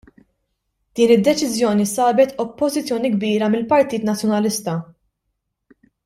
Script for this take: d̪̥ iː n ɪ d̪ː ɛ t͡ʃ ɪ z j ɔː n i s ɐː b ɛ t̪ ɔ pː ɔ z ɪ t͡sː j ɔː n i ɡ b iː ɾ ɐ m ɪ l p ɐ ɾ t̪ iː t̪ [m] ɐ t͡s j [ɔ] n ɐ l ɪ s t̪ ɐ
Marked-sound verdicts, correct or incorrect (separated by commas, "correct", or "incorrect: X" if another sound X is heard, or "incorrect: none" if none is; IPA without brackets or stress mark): incorrect: n, correct